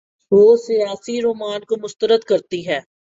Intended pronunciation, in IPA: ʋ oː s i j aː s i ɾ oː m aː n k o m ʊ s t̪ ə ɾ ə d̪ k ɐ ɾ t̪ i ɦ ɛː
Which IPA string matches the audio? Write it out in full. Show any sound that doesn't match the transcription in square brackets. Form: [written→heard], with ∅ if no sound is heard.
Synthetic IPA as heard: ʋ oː s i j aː s i ɾ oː m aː n k o m ʊ s t̪ ə ɾ ə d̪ k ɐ ɾ t̪ i ɦ ɛː